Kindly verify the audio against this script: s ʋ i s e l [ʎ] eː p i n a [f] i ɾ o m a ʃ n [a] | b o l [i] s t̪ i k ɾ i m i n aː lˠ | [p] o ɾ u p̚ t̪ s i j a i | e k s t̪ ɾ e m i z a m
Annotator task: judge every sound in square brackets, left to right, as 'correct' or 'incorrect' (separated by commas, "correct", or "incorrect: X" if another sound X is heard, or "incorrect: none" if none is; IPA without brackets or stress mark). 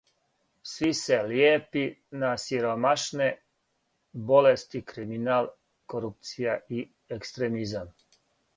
incorrect: j, incorrect: s, incorrect: e, incorrect: e, incorrect: k